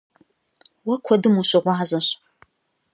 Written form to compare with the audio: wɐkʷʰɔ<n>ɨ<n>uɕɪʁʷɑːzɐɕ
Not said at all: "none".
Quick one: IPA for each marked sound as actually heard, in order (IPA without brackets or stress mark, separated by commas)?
d, m